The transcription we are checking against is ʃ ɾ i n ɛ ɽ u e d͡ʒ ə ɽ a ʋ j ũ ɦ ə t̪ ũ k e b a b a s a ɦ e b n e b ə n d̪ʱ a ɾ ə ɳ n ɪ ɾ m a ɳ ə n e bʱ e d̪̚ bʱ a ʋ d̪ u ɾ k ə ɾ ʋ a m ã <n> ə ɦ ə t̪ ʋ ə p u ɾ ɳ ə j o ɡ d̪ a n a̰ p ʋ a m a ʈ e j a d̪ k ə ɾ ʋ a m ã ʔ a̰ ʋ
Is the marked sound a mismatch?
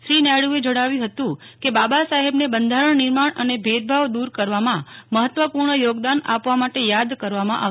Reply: yes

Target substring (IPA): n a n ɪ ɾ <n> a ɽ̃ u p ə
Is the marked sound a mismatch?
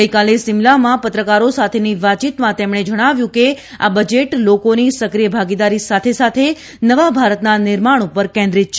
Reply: yes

